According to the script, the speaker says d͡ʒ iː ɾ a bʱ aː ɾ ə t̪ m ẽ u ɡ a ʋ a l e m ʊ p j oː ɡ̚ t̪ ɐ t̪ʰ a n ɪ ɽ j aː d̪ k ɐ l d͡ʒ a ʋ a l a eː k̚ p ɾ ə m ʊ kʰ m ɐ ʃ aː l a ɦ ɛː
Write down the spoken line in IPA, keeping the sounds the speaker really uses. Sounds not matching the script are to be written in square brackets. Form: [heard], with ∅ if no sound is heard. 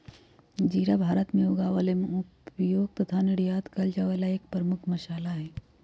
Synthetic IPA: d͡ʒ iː ɾ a bʱ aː ɾ ə t̪ m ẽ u ɡ a ʋ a l e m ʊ p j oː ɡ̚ t̪ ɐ t̪ʰ a n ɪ ɽ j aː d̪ k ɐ l d͡ʒ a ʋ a l a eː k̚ p ɾ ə m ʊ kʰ m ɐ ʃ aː l a ɦ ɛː